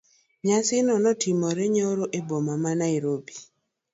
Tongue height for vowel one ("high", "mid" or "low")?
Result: low